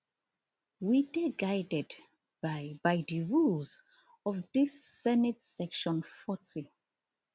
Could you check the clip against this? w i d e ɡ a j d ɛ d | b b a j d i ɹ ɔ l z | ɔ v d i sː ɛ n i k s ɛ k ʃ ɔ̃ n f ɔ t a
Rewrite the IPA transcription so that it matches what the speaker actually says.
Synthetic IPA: w i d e ɡ a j d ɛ d | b b a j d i ɹ u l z | ɔ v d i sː ɛ n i t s ɛ k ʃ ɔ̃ n f ɔ t i